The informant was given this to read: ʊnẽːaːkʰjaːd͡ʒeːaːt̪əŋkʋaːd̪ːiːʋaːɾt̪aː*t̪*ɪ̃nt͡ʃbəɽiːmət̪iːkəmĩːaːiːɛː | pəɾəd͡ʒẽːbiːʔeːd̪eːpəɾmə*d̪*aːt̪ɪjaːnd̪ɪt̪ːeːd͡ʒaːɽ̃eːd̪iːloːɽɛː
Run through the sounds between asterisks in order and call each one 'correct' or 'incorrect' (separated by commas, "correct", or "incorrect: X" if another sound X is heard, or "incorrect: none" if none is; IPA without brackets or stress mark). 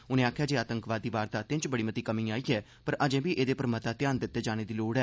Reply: correct, incorrect: t̪